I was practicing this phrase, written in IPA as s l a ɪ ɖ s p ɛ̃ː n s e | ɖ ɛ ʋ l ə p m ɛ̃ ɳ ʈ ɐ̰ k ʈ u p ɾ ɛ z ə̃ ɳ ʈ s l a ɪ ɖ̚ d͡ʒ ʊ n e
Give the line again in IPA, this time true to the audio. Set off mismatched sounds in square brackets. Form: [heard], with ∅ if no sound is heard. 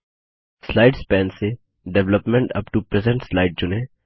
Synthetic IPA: s l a ɪ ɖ s p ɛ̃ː n s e | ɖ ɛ ʋ l ə p m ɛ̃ ɳ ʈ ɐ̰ [p] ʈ u p ɾ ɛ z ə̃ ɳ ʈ s l a ɪ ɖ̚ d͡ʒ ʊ n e